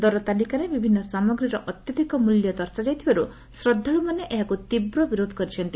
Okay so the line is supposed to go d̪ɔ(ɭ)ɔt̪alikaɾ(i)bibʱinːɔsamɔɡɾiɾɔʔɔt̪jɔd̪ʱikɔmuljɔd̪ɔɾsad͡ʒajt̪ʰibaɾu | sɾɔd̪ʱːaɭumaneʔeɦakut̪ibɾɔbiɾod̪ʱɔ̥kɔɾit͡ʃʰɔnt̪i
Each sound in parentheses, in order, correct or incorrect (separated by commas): incorrect, incorrect